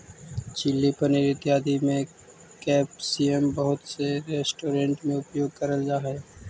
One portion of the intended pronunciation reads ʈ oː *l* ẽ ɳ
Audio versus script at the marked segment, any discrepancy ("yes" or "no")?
yes